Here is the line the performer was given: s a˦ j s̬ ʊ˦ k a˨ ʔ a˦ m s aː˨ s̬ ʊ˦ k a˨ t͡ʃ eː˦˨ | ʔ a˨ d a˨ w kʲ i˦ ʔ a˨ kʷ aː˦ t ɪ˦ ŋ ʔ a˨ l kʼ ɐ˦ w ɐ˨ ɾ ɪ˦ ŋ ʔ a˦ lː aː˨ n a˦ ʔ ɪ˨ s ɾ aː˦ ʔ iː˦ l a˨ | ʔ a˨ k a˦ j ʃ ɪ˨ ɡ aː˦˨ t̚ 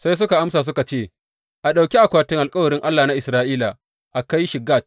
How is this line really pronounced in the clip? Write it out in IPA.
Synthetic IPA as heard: s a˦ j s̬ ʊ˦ k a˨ ʔ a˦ m s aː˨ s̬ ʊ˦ k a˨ t͡ʃ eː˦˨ | ʔ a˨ ɗ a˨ w kʲ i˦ ʔ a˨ kʷ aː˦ t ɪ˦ ŋ ʔ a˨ l kʼ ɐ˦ w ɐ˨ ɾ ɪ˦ ŋ ʔ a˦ lː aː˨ n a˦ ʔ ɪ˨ s ɾ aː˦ ʔ iː˦ l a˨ | ʔ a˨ k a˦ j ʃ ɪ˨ ɡ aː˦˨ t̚